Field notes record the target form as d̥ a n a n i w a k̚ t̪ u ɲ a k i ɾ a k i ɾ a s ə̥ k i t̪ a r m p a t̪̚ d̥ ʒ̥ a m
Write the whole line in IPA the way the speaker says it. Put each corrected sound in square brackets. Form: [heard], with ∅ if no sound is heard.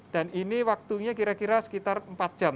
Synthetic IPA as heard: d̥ a n [i] n i w a k̚ t̪ u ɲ a k i ɾ a k i ɾ a s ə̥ k i t̪ a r m p a t̪̚ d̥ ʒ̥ a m